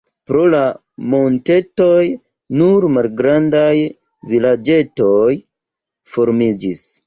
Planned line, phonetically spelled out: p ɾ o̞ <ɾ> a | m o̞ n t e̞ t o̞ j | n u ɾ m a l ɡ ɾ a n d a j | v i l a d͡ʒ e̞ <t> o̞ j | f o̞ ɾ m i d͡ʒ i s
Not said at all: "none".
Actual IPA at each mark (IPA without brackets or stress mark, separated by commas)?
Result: l, t